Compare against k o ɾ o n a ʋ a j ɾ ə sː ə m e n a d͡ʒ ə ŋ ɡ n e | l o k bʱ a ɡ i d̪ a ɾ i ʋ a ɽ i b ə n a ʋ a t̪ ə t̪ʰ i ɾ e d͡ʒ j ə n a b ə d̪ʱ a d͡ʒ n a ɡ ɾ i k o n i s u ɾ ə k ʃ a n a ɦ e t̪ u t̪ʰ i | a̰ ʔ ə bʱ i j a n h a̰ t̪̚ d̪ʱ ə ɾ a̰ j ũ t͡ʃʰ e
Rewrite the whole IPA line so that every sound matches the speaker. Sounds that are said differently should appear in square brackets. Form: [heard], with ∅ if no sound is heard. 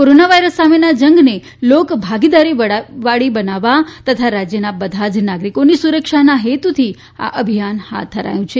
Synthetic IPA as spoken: k o ɾ o n a ʋ a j ɾ ə sː [a] m e n a d͡ʒ ə ŋ ɡ n e | l o k bʱ a ɡ i d̪ a ɾ i ʋ a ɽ i b ə n a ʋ a t̪ ə t̪ʰ [a] ɾ [a] d͡ʒ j ə n a b ə d̪ʱ a d͡ʒ n a ɡ ɾ i k o n i s u ɾ ə k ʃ a n a ɦ e t̪ u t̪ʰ i | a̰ ʔ ə bʱ i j a n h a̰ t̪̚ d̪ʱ ə ɾ a̰ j ũ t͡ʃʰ e